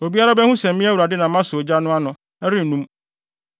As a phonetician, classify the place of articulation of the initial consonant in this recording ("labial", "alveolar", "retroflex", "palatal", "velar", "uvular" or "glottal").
labial